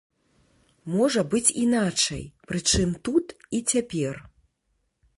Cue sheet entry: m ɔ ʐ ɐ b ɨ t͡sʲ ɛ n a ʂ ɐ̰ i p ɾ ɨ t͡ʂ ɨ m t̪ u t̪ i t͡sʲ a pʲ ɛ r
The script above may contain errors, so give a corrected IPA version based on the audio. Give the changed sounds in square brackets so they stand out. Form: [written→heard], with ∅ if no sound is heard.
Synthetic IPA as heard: m ɔ ʐ ɐ b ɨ t͡sʲ [ɛ→i] n a [ʂ→t͡ʂ] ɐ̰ [i→j] p ɾ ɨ t͡ʂ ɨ m t̪ u t̪ i t͡sʲ a pʲ ɛ r